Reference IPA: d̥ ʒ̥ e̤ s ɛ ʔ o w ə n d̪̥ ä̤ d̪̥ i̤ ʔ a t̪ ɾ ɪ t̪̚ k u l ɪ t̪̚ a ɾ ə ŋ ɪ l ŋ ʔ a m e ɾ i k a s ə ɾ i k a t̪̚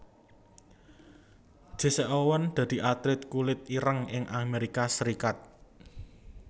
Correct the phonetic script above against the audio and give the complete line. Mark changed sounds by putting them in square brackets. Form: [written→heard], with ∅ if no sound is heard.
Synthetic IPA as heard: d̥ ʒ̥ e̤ s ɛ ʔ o w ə n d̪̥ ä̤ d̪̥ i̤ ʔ a t̪ ɾ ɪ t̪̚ k u l ɪ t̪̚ [a→i] ɾ ə ŋ ɪ [l→∅] ŋ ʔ a m e ɾ i k a s ə ɾ i k a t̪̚